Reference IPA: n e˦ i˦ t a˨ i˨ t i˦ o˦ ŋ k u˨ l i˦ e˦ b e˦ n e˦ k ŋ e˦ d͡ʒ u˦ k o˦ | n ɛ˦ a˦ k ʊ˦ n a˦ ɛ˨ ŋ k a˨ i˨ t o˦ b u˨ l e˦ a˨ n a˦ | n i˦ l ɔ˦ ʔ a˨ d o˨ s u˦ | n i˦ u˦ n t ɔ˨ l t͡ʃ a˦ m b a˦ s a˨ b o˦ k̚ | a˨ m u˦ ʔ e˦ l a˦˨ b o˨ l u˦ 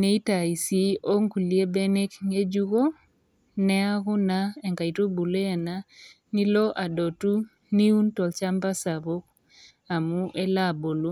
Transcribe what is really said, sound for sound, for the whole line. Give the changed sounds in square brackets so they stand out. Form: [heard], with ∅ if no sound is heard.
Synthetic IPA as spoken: n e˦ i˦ t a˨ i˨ [s] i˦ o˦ ŋ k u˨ l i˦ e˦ b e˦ n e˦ k ŋ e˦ d͡ʒ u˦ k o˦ | n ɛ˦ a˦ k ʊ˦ n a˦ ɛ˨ ŋ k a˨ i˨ t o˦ b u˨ l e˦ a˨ n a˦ | n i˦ l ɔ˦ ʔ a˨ d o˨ [t] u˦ | n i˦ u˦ n t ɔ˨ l t͡ʃ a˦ m b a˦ s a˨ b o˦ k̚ | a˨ m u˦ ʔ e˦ l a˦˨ b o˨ l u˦

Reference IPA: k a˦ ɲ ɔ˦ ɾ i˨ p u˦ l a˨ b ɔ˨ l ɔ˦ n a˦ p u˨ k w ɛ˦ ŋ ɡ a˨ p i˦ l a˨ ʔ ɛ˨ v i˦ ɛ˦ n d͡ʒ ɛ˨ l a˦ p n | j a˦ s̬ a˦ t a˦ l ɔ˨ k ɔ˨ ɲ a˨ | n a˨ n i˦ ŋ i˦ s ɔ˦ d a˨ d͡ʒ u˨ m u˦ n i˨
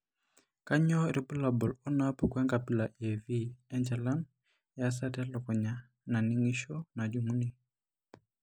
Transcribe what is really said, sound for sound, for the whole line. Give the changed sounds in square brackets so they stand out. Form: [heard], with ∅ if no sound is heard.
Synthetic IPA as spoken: k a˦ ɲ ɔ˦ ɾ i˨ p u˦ l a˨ b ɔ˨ l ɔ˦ n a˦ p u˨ k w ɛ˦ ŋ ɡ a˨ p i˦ l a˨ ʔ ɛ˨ v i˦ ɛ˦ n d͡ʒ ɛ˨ l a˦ [∅] n | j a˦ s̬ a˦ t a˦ l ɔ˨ k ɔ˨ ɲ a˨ | n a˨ n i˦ ŋ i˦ [ʃ] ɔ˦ [n] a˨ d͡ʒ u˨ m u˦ n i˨

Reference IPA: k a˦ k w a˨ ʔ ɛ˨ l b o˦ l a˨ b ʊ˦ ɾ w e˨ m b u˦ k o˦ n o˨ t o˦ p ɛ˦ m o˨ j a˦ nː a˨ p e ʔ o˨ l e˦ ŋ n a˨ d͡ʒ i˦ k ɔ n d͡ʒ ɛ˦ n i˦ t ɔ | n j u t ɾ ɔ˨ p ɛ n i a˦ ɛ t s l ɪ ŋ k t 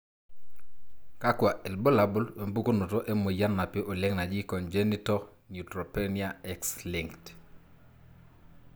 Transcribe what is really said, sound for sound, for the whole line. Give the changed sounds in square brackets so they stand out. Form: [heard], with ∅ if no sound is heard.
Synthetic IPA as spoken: k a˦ k w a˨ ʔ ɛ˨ l b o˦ l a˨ b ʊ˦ [l] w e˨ m b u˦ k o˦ n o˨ t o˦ [ʔ] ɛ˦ m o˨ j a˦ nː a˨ p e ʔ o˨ l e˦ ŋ n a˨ d͡ʒ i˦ k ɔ n d͡ʒ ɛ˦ n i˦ t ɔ | n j u t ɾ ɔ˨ p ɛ n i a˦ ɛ [k] s l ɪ ŋ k t

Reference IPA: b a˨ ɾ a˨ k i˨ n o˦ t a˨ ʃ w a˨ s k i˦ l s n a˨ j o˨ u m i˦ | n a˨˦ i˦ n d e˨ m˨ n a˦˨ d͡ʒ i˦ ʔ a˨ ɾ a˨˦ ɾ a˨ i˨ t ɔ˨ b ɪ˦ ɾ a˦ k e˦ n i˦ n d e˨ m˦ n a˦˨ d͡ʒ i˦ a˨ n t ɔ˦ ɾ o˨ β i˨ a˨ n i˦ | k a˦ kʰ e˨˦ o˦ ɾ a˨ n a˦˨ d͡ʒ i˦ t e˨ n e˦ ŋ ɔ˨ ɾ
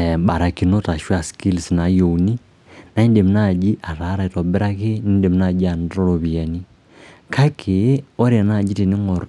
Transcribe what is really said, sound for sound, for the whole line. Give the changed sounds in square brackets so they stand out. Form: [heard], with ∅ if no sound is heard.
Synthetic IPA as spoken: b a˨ ɾ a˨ k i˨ n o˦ t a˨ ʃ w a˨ s k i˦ l s n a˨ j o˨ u [n] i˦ | n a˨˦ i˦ n d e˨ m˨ n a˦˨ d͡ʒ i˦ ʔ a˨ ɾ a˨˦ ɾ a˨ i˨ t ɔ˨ b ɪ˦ ɾ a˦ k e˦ n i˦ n d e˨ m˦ n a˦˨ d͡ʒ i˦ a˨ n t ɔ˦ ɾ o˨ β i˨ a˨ n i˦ | k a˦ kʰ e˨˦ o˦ ɾ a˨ n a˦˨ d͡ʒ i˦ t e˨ n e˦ ŋ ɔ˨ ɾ

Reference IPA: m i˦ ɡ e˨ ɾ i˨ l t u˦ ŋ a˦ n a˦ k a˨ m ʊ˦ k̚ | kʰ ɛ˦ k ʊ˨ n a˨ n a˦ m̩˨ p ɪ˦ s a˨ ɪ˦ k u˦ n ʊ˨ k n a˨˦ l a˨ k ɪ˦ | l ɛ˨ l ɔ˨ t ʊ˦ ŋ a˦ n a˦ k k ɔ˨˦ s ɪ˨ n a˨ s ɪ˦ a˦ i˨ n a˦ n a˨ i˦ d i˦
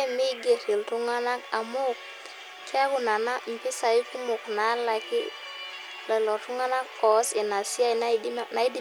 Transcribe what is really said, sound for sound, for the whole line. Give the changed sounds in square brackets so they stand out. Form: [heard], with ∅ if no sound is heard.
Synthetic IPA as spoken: m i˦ ɡ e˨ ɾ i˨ l t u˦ ŋ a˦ n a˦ k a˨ m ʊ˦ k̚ | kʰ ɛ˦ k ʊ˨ n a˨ n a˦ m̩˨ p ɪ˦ s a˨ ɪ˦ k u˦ [m] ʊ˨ k n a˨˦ l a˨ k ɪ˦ | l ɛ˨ l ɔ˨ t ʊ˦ ŋ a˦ n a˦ k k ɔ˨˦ s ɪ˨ n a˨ s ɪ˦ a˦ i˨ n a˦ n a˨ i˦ d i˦

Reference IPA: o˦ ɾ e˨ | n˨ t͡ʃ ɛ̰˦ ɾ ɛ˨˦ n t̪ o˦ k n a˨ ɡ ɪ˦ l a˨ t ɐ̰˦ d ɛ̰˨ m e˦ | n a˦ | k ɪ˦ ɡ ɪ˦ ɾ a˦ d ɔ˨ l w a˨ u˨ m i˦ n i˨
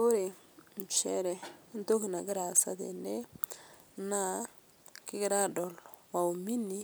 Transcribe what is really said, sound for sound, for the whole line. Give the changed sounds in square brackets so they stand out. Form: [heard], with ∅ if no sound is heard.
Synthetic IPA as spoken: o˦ ɾ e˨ | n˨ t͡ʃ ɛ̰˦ ɾ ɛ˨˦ n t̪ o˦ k n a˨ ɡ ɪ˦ [ɾ] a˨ [s] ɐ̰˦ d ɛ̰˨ [n] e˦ | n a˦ | k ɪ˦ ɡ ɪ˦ ɾ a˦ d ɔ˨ l w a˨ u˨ m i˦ n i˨

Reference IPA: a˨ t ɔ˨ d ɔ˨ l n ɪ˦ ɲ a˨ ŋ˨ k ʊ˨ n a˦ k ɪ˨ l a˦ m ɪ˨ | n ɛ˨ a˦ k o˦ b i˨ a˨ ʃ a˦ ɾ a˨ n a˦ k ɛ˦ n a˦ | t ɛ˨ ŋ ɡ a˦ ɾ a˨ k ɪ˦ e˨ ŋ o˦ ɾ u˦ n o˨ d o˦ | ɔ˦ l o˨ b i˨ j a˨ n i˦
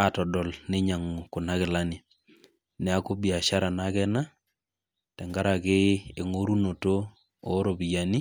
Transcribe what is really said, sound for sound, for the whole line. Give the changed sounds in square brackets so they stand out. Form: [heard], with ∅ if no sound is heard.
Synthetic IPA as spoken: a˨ t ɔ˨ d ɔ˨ l n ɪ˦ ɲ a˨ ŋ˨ k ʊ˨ n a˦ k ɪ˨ l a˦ [n] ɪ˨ | n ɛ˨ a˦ k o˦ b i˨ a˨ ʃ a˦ ɾ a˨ n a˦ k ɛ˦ n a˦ | t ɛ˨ ŋ ɡ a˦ ɾ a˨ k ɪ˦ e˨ ŋ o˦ ɾ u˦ n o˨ [t] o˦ | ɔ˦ [ɾ] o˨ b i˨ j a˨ n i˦

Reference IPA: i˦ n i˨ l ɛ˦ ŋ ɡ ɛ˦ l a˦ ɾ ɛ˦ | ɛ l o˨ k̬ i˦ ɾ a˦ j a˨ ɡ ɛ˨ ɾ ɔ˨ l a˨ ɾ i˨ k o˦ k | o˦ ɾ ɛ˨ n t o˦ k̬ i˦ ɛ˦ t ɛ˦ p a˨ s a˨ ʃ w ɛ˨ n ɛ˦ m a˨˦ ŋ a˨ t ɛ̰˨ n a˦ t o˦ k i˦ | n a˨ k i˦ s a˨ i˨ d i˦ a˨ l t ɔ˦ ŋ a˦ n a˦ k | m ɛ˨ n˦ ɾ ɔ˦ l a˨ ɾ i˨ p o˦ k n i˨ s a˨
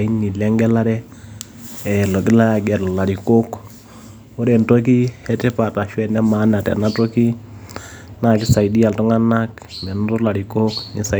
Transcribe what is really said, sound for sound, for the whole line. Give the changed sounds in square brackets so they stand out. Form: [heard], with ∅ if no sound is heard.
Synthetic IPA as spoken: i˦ n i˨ l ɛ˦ ŋ ɡ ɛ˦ l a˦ ɾ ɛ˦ | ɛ l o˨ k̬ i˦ [l] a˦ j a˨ ɡ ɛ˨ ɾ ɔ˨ l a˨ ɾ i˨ k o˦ k | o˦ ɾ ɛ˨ n t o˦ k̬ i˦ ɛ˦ t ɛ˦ p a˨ [t] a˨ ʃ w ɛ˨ n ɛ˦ m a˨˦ [n] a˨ t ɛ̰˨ n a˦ t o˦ k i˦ | n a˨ k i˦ s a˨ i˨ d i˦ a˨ l t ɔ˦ ŋ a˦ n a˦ k | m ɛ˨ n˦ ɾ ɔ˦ l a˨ ɾ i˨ [k] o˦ k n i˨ s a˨

